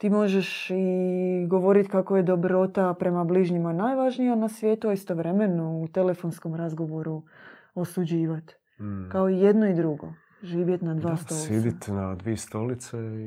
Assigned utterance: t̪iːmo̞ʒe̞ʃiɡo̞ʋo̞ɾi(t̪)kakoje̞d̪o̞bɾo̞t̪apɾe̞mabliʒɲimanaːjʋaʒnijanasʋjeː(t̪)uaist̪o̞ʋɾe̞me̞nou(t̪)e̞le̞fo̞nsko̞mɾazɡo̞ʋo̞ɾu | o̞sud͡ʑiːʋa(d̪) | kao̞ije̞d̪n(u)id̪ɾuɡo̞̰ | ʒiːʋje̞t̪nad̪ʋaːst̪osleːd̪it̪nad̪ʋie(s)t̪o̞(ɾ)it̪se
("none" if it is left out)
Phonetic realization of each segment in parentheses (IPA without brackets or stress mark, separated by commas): t̪, t̪, t̪, t̪, o, s, l